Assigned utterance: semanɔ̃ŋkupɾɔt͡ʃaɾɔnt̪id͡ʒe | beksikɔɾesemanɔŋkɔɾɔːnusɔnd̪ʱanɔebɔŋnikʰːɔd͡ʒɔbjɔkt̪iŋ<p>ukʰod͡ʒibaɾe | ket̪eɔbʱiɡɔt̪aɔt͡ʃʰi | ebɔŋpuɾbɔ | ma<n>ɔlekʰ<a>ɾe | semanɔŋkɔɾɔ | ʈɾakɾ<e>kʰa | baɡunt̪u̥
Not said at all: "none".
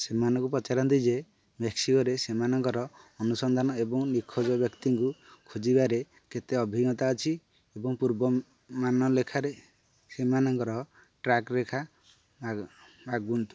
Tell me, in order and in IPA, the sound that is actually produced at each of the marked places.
k, n, a, e

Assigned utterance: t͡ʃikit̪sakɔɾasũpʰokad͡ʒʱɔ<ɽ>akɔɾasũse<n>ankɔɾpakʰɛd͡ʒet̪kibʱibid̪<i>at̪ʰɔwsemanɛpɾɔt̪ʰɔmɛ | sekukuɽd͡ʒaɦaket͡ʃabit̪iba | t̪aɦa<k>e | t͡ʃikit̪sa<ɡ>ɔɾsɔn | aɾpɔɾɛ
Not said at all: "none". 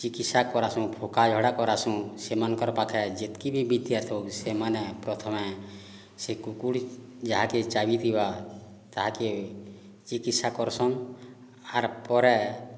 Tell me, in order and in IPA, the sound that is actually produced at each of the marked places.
ɽ, m, j, k, k

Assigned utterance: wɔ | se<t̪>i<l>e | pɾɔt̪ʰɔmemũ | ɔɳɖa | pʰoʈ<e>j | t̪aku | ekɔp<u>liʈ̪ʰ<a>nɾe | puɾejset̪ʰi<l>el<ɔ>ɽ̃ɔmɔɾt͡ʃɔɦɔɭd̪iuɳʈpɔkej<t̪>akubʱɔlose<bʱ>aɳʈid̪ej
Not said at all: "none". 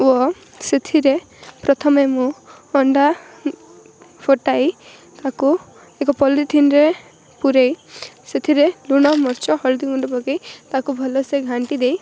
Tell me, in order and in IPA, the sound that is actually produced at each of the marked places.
t̪ʰ, ɾ, a, ɔ, i, ɾ, u, t̪, ɡʱ

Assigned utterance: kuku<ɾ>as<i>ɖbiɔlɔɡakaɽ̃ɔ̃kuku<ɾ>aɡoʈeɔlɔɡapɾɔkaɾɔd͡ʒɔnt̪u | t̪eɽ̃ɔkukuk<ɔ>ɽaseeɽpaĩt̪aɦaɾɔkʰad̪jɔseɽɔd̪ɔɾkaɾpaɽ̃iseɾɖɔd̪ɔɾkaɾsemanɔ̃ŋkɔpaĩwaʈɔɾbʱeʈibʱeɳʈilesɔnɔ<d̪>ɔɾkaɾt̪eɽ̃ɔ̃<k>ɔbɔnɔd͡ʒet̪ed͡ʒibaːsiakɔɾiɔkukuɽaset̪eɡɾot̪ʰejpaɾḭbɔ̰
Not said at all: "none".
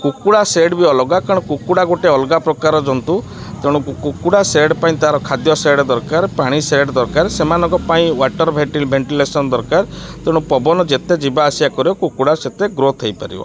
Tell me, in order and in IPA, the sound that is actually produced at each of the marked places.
ɽ, e, ɽ, u, d̪, p

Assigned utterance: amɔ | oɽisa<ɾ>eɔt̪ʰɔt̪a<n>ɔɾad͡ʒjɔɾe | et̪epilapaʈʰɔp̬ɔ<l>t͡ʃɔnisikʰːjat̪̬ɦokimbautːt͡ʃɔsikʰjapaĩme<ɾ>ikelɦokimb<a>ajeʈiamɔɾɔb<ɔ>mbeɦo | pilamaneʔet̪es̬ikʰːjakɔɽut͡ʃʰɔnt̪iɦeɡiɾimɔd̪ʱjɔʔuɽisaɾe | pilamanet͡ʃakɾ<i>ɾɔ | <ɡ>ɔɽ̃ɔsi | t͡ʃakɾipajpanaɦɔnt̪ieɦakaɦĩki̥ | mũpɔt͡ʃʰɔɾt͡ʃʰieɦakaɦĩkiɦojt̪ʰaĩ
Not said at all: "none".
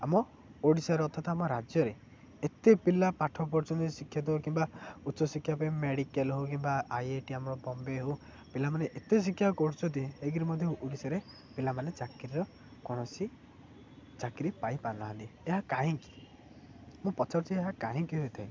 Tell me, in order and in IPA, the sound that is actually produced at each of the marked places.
ɾ, m, ɾ, ɽ, a, ɔ, i, k

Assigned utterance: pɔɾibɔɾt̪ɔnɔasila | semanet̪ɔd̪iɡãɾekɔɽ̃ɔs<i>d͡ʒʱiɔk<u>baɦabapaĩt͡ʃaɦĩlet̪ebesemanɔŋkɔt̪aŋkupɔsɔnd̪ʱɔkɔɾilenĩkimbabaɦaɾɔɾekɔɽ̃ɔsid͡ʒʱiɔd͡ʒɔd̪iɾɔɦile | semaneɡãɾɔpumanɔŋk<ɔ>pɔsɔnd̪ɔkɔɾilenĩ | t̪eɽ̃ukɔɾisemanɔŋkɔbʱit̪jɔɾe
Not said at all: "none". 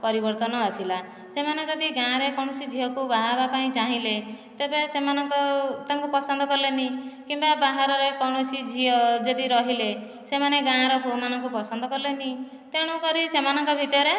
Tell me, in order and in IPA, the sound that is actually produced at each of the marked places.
i, u, u

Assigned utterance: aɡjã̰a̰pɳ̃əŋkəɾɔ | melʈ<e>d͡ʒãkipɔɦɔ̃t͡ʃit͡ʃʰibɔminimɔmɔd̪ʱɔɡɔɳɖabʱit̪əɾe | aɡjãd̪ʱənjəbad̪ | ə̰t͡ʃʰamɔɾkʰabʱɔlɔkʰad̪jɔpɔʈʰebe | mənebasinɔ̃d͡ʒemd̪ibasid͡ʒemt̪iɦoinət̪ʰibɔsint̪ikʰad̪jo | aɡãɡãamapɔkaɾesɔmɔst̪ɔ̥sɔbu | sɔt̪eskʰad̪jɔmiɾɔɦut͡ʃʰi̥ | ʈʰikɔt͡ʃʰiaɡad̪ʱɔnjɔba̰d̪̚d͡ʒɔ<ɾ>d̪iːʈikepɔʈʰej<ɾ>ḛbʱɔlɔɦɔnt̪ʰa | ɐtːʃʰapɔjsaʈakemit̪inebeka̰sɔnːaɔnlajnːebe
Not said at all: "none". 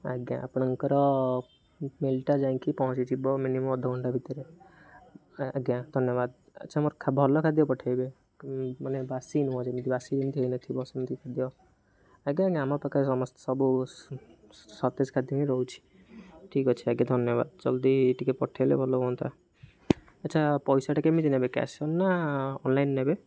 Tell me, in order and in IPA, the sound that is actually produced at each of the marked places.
a, l, l

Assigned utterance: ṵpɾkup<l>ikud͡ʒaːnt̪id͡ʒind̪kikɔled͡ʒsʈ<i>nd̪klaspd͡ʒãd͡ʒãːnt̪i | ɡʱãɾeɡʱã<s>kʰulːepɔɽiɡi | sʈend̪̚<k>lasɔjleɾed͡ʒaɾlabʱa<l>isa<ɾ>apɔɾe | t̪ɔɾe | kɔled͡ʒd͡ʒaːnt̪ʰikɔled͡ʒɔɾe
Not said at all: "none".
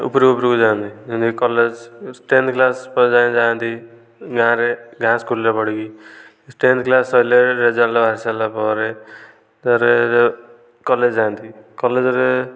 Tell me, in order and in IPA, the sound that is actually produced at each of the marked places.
ɾ, e, s, k, ɾ, l

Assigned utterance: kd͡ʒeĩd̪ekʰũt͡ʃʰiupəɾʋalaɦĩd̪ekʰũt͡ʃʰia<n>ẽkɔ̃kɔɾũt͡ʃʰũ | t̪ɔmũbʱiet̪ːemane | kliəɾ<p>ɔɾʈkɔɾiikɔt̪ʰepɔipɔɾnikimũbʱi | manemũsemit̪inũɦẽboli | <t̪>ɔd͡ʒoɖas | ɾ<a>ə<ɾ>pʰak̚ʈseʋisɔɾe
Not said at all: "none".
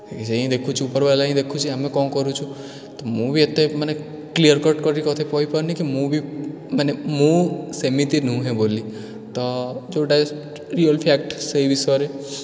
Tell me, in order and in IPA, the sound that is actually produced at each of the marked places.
m, k, t̪, i, l

